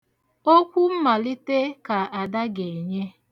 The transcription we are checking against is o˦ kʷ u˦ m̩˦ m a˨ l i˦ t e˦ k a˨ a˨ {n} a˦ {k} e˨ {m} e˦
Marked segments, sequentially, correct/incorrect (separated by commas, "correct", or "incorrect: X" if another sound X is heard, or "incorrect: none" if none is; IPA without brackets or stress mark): incorrect: d, incorrect: ɡ, incorrect: ɲ